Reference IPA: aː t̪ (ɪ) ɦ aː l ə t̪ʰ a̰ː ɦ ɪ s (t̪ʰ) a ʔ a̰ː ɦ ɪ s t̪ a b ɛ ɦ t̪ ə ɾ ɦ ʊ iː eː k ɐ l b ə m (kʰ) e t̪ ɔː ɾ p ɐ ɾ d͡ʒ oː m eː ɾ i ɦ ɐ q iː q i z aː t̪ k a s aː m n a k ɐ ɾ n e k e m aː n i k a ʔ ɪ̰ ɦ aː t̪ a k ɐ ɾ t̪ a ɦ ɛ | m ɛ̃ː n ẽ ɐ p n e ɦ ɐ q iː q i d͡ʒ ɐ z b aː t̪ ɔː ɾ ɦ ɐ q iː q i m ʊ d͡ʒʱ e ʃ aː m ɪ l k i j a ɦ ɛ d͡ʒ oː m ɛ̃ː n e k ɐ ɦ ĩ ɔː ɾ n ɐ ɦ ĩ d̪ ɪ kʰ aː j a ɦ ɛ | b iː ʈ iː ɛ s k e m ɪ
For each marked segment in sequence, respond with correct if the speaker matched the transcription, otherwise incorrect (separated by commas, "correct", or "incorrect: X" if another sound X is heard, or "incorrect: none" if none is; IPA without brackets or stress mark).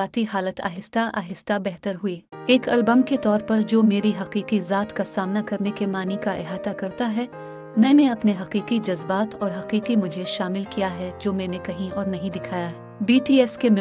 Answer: incorrect: i, incorrect: t̪, incorrect: k